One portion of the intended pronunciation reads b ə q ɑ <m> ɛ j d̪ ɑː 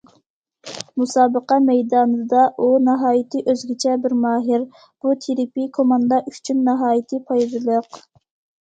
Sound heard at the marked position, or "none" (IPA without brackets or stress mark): m